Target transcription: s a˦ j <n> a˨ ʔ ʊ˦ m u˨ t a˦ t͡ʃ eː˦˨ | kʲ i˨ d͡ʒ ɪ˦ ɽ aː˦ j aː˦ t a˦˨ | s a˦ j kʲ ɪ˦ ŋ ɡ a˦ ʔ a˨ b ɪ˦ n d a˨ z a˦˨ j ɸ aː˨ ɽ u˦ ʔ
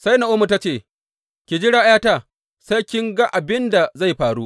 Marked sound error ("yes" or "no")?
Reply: no